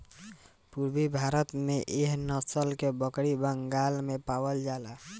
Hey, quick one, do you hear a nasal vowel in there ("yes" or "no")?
no